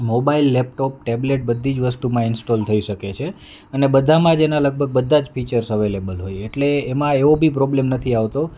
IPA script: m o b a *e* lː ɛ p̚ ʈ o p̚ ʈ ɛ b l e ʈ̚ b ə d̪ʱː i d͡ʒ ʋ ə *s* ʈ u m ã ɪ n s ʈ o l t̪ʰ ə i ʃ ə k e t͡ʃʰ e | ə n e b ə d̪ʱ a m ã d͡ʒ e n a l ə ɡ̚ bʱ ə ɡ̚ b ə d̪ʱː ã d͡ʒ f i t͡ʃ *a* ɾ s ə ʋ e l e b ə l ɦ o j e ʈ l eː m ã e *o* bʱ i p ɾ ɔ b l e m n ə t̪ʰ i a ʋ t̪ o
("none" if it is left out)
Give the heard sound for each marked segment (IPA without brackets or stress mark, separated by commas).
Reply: i, s, ə, o